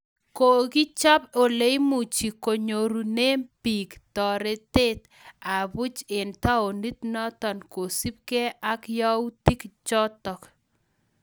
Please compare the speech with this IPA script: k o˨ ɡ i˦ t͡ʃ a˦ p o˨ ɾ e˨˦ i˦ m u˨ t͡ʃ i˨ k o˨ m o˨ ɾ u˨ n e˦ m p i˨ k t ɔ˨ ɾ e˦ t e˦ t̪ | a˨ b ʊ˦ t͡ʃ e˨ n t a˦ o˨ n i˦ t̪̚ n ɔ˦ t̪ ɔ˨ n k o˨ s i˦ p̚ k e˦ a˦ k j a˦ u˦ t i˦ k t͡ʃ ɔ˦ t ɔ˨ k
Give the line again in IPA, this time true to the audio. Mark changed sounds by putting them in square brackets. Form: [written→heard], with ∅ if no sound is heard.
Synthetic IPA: k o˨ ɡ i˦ t͡ʃ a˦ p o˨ [ɾ→l] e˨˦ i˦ m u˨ t͡ʃ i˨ k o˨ [m→ɲ] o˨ ɾ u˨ n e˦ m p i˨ k t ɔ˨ ɾ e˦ t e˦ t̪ | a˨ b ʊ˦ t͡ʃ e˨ n t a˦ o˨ n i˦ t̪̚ n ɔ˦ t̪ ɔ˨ n k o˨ s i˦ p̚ k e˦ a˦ k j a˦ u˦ t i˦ k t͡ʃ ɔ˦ t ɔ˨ k